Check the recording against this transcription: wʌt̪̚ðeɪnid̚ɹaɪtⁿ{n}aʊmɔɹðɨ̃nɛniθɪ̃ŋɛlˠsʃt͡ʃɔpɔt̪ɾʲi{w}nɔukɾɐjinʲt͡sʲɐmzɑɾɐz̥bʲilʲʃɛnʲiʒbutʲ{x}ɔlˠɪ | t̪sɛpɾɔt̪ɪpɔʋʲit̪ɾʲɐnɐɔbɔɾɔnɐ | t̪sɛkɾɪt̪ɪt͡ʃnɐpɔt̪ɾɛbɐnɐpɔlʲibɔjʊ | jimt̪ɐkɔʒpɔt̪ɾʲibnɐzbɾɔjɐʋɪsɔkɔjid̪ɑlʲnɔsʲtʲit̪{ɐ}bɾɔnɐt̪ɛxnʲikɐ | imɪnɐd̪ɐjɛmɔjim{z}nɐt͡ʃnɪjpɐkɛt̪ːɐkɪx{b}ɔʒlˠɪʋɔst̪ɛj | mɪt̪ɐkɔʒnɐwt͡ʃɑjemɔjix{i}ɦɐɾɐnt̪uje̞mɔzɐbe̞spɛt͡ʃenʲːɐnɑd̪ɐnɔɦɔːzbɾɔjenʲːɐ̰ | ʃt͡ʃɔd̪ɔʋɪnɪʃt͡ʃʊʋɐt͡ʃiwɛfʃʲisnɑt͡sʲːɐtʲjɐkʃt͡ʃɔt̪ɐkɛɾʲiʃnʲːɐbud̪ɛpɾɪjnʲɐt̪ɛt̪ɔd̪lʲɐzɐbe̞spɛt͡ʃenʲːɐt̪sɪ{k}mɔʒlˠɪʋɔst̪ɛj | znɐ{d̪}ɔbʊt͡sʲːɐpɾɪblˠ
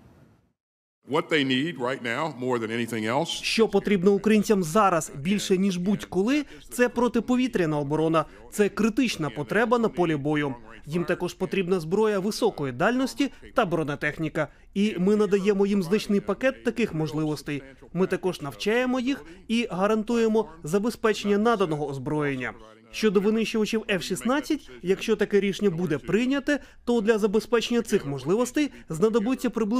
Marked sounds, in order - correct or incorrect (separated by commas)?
correct, incorrect, incorrect, correct, correct, incorrect, correct, incorrect, correct